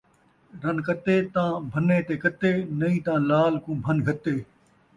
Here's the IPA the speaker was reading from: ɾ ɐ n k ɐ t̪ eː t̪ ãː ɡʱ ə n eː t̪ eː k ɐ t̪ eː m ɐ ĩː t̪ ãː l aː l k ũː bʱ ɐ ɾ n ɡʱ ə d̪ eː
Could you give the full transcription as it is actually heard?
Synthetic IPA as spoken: ɾ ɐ n k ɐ t̪ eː t̪ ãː bʱ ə n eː t̪ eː k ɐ t̪ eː n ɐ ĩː t̪ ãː l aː l k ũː bʱ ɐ n ɡʱ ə t̪ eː

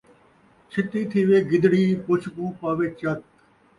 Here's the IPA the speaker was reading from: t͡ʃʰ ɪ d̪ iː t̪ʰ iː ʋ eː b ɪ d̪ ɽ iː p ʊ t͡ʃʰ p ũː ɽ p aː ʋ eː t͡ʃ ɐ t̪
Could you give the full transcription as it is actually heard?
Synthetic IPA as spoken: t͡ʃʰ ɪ t̪ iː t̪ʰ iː ʋ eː ɡ ɪ d̪ ɽ iː p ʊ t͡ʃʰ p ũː p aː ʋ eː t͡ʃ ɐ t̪

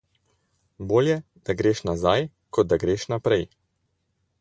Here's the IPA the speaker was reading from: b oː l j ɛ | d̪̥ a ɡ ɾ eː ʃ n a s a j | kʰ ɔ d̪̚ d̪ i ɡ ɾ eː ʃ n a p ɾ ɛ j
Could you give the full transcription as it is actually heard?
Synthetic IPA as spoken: b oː l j ɛ | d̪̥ a ɡ ɾ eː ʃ n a z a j | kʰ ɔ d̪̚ d̪ a ɡ ɾ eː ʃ n a p ɾ ɛ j

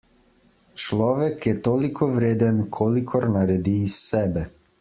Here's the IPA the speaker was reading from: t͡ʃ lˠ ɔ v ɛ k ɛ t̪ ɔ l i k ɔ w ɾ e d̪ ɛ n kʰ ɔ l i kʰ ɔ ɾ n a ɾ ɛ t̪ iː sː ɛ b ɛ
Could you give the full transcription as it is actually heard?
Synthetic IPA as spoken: t͡ʃ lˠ ɔ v ɛ k ɛ t̪ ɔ l i k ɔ v ɾ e d̪ ɛ n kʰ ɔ l i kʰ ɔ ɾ n a ɾ ɛ d̪ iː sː ɛ b ɛ

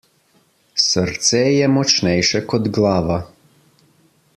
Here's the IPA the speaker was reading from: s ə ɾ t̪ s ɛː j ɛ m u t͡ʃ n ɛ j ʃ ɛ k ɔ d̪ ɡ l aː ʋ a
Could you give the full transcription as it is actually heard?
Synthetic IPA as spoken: s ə ɾ t̪ s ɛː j ɛ m ɔ t͡ʃ n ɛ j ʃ ɛ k ɔ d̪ ɡ l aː ʋ a

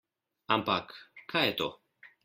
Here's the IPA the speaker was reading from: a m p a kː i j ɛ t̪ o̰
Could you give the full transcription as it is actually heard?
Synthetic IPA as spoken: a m p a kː a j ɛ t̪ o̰

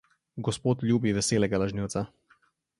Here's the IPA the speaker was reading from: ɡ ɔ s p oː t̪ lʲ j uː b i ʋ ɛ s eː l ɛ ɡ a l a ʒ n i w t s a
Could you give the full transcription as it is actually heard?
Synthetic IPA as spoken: ɡ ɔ s p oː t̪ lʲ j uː b i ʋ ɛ s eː l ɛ ɡ a l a ʒ n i w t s a

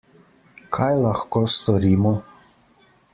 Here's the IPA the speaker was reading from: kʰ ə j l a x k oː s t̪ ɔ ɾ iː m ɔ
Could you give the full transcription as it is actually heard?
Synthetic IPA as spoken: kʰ a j l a x k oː s t̪ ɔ ɾ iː m ɔ

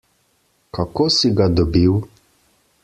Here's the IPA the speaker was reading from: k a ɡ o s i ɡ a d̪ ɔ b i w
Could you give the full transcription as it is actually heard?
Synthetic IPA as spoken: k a k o s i ɡ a d̪ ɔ b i w

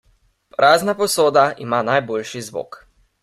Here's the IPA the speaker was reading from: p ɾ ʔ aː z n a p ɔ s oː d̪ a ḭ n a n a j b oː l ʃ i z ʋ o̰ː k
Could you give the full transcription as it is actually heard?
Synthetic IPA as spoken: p ɾ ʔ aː z n a p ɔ s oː d̪ a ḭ m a n a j b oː l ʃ i z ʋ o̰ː k

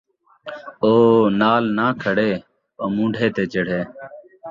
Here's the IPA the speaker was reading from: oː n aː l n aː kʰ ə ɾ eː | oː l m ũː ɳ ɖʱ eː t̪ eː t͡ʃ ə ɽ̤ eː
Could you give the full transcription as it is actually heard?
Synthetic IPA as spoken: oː n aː l n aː kʰ ə ɽ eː | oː m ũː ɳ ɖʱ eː t̪ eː t͡ʃ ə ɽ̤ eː

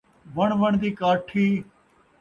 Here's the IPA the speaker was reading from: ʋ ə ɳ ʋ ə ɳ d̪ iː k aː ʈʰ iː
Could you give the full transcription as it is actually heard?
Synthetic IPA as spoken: ʋ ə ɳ ʋ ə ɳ d̪ iː k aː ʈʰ iː

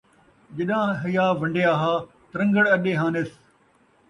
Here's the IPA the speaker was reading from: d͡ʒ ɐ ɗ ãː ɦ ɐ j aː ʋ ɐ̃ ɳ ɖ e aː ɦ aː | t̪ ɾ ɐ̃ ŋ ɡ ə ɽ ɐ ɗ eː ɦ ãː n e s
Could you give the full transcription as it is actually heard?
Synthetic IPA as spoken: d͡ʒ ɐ ɗ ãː ɦ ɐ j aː ʋ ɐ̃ ɳ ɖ e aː ɦ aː | t̪ ɾ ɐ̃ ŋ ɡ ə ɽ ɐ ɗ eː ɦ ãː n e s

